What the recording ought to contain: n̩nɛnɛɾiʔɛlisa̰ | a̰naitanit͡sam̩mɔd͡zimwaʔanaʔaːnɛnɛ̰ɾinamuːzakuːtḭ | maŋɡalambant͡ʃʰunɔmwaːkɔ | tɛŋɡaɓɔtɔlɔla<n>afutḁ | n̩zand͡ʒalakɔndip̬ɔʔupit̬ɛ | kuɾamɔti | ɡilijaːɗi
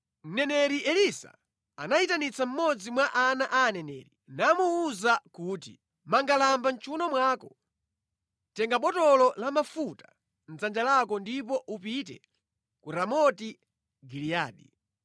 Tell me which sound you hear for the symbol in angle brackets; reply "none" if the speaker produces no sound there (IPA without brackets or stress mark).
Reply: m